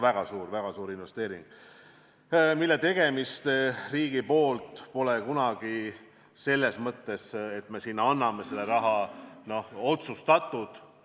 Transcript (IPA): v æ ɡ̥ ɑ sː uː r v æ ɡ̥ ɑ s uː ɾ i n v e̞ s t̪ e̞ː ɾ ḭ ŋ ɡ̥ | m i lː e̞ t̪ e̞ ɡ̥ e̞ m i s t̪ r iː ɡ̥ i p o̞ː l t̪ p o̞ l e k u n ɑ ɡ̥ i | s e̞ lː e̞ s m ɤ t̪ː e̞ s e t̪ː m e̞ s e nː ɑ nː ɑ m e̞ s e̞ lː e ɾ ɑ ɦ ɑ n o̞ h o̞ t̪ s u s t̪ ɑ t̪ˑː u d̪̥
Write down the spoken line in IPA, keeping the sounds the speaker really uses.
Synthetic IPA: v æ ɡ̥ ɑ s uː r v æ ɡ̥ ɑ s uː ɾ i n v e̞ s t̪ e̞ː ɾ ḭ ŋ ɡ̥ | m i lː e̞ t̪ e̞ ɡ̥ e̞ m i s t̪ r iː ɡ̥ i p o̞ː l t̪ p o̞ l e k u n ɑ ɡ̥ i | s e̞ lː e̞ s m ɤ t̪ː e̞ s e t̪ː m e̞ s i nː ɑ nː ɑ m e̞ s e̞ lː e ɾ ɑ ɦ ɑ n o̞ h o̞ t̪ s u s t̪ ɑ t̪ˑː u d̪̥